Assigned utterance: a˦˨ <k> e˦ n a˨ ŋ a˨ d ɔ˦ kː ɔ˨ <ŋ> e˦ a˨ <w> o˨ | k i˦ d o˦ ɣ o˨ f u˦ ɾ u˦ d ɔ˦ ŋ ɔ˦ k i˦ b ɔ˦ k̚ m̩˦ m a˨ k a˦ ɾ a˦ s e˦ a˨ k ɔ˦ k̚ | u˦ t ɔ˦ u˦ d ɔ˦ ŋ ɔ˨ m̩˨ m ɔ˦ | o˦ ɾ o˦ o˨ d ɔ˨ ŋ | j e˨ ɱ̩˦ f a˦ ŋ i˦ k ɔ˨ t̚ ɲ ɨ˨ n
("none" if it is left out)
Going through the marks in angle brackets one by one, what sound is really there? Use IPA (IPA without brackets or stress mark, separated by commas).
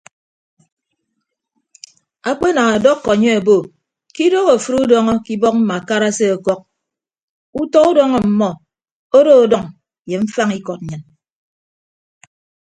k͡p, ɲ, b